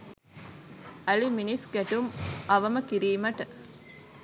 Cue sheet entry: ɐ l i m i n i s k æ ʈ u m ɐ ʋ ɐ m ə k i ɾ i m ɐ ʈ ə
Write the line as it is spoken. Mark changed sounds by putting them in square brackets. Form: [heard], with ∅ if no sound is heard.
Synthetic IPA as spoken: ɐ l i m i n i s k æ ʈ u m ɐ ʋ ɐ m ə k i ɾ [iː] m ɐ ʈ ə